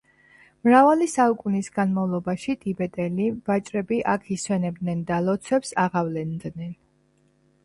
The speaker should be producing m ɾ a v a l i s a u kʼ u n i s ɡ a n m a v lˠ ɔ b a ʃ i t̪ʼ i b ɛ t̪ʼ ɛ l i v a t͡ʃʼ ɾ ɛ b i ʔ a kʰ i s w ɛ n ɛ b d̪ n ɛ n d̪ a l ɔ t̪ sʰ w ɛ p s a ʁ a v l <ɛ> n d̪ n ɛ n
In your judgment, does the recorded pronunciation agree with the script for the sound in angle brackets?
yes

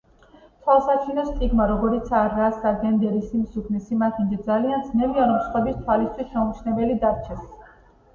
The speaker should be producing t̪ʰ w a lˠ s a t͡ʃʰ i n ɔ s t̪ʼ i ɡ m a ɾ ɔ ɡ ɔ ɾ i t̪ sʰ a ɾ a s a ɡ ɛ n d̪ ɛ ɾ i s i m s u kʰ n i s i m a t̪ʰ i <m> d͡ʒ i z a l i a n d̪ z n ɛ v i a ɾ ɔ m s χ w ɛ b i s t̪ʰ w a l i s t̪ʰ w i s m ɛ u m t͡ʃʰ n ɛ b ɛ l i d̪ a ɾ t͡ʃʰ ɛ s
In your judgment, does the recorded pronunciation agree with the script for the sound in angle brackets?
no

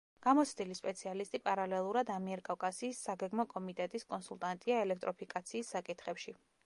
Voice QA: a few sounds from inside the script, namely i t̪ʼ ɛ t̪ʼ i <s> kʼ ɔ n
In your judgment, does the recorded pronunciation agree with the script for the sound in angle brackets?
yes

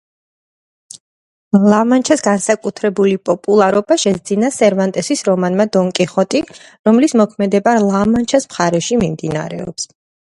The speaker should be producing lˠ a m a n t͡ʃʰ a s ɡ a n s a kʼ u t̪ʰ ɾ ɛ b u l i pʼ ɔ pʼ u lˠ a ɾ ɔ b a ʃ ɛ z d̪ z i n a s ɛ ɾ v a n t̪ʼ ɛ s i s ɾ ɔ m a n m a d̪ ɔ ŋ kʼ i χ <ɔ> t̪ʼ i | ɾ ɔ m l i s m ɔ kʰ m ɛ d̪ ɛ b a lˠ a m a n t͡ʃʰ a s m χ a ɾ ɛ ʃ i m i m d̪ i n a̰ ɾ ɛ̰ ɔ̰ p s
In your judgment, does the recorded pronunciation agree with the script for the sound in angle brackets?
yes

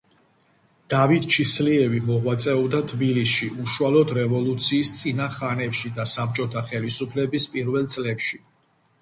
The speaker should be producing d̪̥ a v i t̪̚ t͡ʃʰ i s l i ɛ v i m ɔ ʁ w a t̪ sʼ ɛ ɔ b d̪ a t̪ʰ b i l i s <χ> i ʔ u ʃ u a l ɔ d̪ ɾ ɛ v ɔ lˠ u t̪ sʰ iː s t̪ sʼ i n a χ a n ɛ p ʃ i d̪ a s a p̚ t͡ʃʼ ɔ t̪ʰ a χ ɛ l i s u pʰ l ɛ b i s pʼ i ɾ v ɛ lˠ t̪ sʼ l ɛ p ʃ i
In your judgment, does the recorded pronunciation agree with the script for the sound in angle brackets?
no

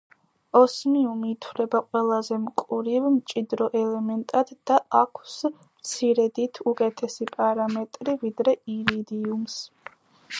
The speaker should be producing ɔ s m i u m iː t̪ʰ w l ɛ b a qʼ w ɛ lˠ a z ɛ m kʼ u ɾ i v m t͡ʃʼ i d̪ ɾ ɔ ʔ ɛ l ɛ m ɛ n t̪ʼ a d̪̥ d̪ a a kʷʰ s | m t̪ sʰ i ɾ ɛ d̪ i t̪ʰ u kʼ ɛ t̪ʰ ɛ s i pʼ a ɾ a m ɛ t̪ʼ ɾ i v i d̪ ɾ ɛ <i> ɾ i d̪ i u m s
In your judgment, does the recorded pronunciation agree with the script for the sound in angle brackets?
yes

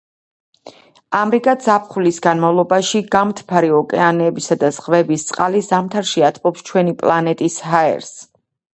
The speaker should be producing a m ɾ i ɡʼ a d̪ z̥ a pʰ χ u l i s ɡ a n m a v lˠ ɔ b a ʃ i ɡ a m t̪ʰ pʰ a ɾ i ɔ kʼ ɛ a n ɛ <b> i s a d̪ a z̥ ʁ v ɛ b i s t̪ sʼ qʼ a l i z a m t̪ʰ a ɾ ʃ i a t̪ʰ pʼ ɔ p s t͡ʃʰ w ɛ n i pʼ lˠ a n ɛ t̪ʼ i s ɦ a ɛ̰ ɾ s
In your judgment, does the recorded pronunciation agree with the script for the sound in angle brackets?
yes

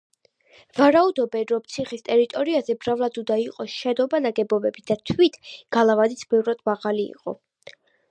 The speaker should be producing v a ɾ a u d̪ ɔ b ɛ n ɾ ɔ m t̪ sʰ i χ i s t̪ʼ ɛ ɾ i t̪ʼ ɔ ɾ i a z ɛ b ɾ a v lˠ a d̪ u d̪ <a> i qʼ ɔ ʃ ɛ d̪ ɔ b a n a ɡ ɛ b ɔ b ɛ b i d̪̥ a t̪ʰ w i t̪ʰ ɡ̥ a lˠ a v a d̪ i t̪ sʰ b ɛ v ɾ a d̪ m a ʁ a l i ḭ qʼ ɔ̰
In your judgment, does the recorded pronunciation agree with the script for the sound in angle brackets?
yes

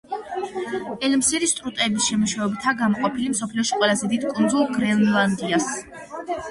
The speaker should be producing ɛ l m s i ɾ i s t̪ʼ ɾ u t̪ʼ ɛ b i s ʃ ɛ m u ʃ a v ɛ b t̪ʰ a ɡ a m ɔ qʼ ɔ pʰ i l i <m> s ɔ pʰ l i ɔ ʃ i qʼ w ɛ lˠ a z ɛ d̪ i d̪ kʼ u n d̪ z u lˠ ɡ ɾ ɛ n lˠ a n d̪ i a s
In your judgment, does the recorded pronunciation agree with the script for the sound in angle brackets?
yes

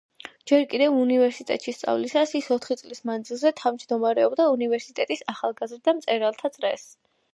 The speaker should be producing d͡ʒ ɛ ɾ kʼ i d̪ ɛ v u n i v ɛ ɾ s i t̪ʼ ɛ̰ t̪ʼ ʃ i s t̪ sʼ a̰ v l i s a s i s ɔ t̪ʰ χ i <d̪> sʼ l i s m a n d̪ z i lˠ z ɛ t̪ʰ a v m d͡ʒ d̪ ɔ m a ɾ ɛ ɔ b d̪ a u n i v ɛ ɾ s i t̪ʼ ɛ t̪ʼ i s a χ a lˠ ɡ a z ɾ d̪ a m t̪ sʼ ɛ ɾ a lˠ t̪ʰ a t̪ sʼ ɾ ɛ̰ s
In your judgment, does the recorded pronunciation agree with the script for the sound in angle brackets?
no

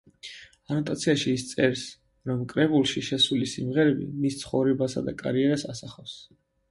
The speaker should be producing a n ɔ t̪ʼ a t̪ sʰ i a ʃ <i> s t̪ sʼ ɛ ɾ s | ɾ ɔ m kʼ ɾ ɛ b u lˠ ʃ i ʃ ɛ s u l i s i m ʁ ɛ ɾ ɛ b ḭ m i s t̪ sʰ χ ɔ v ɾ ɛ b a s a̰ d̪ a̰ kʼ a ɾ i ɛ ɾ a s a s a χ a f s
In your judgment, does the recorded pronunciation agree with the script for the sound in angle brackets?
no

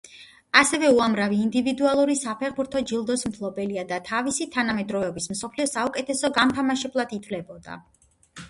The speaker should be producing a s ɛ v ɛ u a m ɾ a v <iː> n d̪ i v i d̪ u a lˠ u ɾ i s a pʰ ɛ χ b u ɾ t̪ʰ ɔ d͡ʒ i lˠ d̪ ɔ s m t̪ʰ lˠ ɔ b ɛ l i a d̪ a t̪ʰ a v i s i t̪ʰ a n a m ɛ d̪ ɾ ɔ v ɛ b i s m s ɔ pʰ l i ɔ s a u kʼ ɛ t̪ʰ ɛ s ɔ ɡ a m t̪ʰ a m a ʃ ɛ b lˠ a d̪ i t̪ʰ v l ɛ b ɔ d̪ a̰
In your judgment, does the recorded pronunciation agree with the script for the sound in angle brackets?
yes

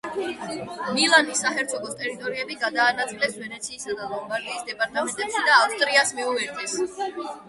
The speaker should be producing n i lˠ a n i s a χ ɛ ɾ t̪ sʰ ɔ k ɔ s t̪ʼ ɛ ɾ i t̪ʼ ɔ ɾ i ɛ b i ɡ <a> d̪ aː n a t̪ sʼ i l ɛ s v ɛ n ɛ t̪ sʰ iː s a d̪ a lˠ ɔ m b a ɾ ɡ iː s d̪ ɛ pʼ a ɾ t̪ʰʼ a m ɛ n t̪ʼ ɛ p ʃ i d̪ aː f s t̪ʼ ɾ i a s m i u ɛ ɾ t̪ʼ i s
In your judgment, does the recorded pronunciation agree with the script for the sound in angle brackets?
yes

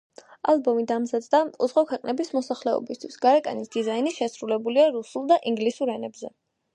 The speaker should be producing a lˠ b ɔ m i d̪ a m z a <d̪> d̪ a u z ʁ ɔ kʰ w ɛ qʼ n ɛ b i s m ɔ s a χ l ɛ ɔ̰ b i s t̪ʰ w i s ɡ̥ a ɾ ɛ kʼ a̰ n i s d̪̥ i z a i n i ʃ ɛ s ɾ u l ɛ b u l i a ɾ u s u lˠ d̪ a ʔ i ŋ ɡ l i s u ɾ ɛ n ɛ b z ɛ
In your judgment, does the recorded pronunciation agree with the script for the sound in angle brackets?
yes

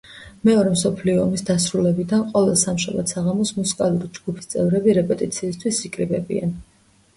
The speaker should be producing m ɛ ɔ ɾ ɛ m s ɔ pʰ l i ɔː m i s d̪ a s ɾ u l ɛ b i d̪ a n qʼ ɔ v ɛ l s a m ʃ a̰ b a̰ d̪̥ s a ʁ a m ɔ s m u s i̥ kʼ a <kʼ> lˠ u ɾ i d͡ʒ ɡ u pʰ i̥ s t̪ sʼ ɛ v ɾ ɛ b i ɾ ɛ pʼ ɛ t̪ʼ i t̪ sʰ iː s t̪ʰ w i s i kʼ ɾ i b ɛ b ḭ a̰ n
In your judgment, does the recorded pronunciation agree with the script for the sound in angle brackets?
no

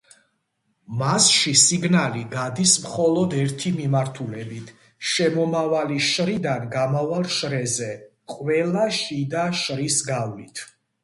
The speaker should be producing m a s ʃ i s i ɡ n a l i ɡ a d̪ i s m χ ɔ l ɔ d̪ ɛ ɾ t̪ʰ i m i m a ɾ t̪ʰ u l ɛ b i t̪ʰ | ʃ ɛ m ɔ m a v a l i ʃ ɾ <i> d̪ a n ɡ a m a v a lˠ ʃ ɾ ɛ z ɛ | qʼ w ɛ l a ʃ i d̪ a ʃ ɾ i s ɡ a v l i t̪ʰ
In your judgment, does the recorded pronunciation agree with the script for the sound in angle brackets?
yes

